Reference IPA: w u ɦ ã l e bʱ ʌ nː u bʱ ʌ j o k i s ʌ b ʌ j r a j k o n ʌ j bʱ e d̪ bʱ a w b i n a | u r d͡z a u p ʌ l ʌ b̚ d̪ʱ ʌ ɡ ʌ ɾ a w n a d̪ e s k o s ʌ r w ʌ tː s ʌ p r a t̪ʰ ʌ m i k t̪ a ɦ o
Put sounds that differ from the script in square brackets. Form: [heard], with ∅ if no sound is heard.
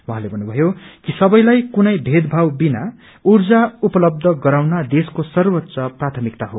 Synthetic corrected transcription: w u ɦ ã l e bʱ ʌ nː u bʱ ʌ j o k i s ʌ b ʌ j [l] a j k [u] n ʌ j bʱ e d̪ bʱ a w b i n a | u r d͡z a u p ʌ l ʌ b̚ d̪ʱ ʌ ɡ ʌ ɾ a w n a d̪ e s k o s ʌ r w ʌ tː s ʌ p r a t̪ʰ ʌ m i k t̪ a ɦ o